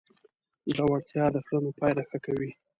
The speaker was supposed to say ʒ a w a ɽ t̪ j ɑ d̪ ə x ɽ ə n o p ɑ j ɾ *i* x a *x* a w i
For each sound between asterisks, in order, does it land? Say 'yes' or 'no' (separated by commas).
no, no